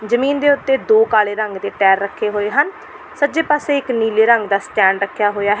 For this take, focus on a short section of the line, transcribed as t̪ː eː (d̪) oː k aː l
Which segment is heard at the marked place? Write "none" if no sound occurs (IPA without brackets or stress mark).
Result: d̪